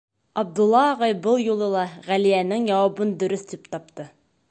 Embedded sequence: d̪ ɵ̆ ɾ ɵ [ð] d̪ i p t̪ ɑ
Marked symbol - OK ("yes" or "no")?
no